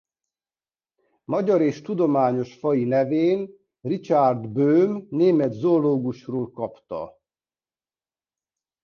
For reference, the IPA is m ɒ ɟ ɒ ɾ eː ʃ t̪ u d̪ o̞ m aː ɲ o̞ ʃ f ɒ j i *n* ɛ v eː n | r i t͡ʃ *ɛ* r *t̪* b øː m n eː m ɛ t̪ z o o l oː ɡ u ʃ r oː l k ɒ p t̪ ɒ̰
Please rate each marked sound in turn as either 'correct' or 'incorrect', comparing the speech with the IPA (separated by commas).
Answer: correct, incorrect, incorrect